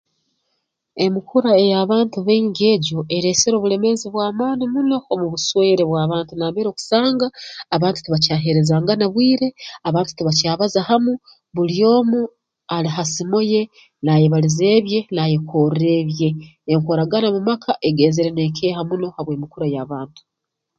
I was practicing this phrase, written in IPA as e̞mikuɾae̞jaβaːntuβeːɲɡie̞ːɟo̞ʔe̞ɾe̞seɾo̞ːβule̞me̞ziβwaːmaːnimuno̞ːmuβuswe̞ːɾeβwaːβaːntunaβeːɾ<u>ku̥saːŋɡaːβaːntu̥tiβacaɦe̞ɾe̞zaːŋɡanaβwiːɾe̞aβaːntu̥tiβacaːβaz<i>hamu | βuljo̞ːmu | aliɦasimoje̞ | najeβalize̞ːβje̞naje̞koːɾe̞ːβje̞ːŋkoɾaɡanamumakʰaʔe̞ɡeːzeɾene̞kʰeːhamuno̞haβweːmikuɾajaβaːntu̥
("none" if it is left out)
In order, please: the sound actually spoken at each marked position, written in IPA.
o, a

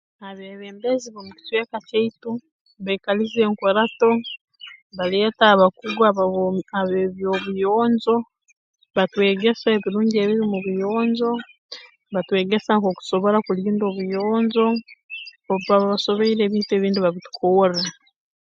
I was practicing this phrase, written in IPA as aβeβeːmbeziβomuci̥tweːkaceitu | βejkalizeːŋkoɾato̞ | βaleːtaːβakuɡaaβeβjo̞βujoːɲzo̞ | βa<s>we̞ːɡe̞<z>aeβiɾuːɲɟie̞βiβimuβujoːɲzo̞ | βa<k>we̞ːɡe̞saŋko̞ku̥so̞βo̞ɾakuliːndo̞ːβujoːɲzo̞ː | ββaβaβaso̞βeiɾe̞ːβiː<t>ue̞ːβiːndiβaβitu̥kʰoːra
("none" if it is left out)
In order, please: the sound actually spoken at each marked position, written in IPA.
t, s, t, t

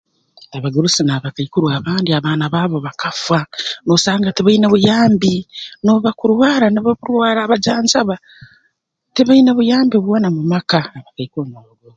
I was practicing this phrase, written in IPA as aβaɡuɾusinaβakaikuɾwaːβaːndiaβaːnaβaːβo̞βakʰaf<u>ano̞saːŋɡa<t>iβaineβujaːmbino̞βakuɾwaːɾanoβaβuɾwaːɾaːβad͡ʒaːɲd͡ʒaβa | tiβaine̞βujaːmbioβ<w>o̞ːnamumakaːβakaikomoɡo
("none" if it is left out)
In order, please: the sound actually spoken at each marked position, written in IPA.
w, t, w

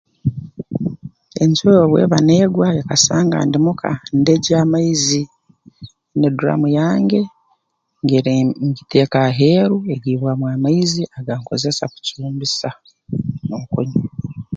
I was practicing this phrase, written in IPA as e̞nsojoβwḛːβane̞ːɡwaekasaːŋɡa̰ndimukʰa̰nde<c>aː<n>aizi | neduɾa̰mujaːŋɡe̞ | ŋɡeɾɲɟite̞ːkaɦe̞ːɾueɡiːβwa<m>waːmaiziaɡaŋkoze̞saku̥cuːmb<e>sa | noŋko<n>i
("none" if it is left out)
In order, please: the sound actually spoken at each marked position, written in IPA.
ɟ, m, m, i, ɲ

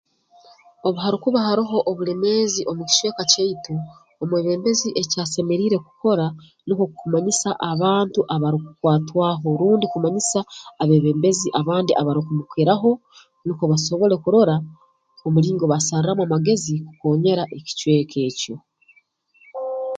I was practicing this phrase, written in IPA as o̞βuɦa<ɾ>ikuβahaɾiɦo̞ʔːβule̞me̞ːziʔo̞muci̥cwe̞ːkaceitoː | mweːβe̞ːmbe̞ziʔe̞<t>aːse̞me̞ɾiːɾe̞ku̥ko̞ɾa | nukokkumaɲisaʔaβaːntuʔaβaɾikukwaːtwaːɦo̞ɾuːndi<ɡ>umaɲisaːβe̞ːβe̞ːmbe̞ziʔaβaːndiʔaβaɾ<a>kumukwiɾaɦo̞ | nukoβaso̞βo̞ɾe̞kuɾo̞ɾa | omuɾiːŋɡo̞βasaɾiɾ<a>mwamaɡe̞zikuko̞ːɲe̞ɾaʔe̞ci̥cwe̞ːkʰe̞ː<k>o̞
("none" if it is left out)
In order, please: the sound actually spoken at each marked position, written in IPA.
ɾ, c, k, i, a, c

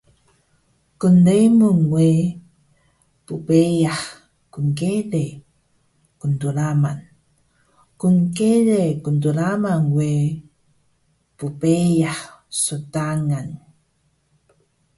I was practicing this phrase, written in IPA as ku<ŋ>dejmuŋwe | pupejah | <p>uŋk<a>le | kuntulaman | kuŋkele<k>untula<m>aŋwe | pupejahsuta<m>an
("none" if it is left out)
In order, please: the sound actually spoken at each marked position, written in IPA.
n, k, e, k, m, ŋ

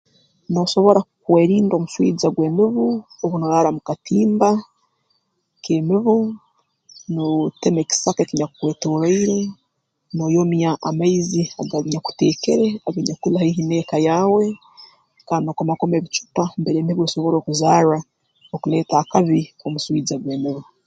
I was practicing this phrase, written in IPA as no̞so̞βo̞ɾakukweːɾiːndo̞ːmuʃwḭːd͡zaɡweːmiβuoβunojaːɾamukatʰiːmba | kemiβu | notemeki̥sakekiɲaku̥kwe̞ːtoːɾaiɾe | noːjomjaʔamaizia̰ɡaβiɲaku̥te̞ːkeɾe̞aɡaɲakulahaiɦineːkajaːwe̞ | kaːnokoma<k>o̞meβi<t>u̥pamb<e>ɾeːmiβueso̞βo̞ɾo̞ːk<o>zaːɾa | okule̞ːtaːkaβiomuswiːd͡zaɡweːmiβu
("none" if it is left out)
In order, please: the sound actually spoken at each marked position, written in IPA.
k, t͡ʃ, e, u

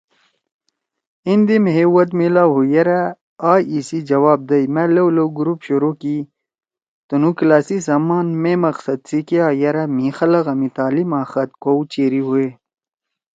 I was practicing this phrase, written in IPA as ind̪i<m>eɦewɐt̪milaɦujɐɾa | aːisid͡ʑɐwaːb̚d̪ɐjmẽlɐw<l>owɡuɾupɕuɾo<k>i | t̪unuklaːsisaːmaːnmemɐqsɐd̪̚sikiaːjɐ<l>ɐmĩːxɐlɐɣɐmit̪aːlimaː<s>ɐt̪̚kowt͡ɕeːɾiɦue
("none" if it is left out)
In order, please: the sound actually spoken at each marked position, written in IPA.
m, l, k, ɾ, x

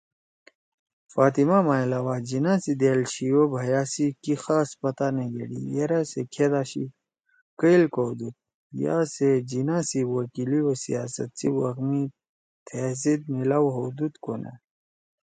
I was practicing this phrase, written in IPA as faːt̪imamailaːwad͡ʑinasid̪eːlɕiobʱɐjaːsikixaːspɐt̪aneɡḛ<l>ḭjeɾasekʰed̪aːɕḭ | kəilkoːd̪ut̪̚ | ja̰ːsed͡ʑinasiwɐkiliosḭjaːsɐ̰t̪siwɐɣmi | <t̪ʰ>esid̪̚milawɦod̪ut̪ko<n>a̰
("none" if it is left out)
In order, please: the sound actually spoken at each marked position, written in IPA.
ɽ, t̪ʰ, n

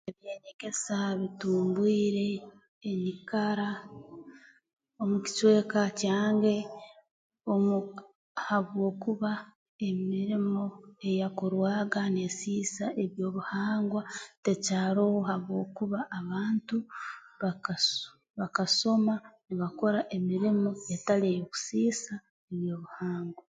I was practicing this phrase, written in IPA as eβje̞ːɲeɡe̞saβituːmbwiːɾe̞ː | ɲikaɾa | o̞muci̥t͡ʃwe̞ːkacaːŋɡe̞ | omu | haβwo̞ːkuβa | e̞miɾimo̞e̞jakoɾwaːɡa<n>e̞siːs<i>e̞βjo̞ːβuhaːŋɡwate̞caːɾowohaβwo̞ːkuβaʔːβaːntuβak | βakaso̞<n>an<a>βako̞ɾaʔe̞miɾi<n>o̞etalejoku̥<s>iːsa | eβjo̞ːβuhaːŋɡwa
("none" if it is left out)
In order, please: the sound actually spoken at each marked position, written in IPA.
n, a, m, i, m, s

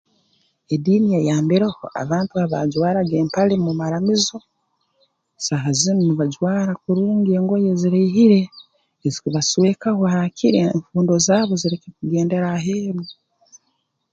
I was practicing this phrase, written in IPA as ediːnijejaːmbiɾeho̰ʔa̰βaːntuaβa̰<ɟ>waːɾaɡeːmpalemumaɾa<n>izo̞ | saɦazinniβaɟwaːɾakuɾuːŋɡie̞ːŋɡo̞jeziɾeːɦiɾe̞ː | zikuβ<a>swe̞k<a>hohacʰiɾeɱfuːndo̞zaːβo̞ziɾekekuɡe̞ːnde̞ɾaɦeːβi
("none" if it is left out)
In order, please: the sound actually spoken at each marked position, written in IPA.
ɟ, m, a, a

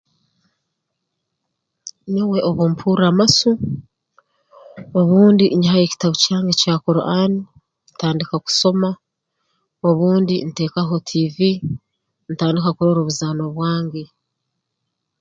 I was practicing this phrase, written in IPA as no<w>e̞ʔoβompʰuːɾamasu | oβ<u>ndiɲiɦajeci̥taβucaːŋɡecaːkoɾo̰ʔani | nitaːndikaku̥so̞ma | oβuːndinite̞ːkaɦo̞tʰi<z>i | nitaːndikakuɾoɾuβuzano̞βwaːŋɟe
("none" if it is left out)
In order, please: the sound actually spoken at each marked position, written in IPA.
w, uː, v

